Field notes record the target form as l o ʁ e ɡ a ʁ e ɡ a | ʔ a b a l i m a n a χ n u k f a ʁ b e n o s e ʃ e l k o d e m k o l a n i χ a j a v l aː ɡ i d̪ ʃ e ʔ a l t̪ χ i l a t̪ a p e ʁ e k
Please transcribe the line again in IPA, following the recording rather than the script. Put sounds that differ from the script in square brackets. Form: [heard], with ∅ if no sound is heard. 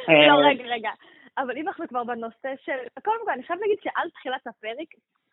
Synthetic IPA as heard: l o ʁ e ɡ a ʁ e ɡ a | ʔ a [v] a l i m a n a χ n u k [v] a ʁ b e n o s e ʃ e l k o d e m k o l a n i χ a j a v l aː ɡ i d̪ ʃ e ʔ a l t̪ χ i l a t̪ a p e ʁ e k